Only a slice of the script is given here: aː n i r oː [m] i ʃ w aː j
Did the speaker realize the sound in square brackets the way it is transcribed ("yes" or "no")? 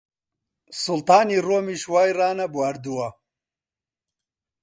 yes